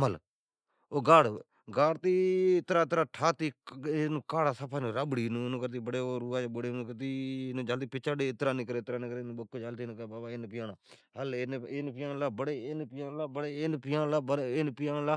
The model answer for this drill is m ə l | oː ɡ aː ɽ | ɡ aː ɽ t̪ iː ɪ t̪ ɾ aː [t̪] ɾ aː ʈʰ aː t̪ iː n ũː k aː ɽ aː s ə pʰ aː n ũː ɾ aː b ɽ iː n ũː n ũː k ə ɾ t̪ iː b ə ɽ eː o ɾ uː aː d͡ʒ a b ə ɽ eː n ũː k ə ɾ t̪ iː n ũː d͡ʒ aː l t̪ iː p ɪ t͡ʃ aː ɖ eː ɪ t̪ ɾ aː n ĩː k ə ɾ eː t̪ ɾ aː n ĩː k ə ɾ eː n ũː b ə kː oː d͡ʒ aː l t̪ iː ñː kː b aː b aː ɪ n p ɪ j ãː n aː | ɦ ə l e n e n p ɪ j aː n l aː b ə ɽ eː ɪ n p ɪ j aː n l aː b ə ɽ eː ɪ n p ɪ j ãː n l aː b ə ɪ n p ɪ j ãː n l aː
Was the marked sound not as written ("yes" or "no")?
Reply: no